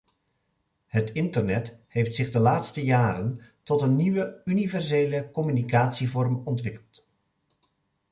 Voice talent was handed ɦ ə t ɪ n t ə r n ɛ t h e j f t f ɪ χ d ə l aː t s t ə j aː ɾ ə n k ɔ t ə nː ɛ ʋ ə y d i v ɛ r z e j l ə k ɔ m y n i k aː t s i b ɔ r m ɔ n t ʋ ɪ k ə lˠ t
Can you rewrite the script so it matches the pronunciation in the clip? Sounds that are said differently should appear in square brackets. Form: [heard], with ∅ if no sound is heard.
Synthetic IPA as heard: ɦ ə t ɪ n t ə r n ɛ t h e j f t [s] ɪ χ d ə l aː t s t ə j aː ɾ ə n [t] ɔ t ə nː [i] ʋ ə y [n] i v ɛ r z e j l ə k ɔ m y n i k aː t s i [v] ɔ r m ɔ n t ʋ ɪ k ə lˠ t